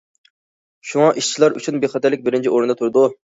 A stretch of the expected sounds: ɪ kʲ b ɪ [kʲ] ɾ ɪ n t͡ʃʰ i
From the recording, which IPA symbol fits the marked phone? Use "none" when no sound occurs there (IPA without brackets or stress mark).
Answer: none